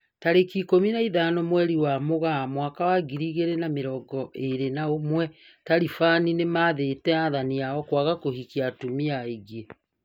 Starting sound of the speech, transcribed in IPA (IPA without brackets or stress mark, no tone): t